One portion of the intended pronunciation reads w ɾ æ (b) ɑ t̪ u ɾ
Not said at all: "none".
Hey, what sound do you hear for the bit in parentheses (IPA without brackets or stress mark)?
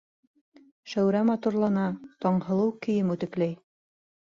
m